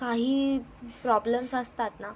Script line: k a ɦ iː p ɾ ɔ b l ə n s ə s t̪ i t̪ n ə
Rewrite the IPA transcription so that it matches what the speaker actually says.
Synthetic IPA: k a ɦ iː p ɾ ɔ b l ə m s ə s t̪ a t̪ n a